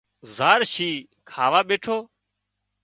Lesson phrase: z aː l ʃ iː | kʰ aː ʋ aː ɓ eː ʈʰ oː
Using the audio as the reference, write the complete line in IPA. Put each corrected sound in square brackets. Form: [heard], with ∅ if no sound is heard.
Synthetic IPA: z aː [ɾ] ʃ iː | kʰ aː ʋ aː ɓ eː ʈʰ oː